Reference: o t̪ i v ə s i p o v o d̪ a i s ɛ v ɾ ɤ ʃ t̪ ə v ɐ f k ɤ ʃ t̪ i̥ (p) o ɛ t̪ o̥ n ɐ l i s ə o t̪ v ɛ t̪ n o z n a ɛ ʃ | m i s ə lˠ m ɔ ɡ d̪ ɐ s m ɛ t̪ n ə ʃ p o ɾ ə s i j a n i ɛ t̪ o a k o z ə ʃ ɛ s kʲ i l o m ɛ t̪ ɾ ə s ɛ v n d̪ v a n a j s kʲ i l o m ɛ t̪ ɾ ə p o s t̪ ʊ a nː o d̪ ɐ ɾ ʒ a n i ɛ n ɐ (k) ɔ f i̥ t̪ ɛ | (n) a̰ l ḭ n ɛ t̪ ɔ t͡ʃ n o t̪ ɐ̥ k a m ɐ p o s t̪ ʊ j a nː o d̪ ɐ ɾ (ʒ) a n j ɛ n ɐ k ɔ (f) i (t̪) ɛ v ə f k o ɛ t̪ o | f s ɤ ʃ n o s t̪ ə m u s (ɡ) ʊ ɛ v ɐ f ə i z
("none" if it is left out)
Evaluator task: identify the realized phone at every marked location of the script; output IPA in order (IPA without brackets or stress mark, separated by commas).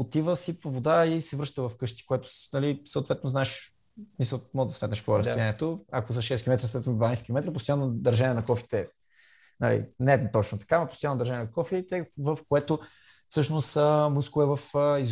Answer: k, k, n, ʒ, f, t̪, k